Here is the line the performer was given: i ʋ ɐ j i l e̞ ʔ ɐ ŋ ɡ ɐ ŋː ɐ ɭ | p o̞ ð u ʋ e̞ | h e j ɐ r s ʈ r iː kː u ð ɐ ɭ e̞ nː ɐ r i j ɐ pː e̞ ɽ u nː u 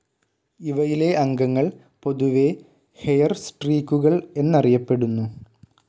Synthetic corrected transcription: i ʋ ɐ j i l e̞ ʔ ɐ ŋ ɡ ɐ ŋː ɐ ɭ | p o̞ ð u ʋ e̞ | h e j ɐ r s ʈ r iː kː u ɣ ɐ ɭ e̞ nː ɐ r i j ɐ pː e̞ ɽ u nː u